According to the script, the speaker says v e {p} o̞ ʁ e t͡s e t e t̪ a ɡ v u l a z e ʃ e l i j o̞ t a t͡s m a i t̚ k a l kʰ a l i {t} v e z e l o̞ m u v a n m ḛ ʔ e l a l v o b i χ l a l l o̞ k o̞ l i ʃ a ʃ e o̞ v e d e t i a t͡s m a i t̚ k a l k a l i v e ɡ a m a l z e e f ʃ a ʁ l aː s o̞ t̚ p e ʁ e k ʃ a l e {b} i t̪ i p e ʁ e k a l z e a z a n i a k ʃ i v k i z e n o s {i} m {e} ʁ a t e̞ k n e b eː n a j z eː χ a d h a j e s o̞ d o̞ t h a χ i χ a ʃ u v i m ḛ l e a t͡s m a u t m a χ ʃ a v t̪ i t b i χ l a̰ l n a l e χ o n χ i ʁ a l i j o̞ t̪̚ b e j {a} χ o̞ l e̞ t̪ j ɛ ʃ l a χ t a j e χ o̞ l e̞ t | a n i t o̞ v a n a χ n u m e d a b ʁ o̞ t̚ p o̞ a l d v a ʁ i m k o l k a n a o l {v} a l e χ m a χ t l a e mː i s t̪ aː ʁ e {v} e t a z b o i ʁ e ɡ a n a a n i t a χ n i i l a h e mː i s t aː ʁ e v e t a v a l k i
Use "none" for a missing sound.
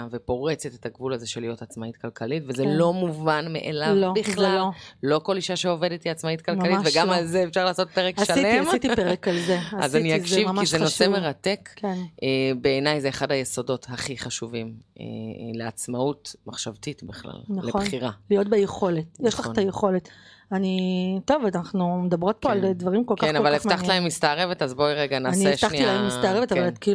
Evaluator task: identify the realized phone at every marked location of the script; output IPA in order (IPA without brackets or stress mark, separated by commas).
p, t, m, e, e, e, v, v